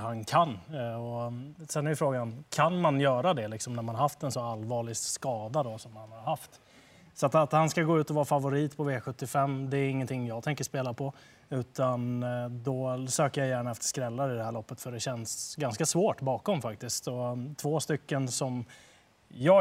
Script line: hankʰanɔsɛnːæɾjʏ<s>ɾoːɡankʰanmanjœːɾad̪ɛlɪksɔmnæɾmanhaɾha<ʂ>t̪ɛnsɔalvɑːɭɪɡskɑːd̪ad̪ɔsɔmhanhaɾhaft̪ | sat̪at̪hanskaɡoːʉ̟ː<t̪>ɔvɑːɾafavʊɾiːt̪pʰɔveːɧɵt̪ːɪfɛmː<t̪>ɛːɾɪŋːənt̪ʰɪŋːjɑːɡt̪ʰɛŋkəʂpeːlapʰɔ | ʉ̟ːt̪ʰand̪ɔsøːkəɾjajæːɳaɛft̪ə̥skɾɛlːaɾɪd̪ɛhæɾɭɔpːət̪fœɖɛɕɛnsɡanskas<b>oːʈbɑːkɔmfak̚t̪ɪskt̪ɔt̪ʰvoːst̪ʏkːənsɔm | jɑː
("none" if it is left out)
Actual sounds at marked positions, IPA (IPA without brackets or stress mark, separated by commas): f, f, t̪, d̪, v